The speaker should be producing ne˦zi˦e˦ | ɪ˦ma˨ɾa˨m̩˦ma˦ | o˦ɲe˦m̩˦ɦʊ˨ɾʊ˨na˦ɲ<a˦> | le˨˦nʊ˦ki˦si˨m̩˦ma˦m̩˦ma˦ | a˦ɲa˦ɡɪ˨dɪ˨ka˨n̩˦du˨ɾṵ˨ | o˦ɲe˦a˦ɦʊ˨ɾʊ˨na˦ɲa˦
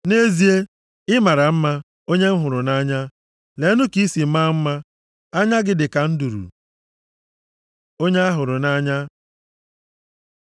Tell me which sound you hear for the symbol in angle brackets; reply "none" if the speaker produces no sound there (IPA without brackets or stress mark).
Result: a˦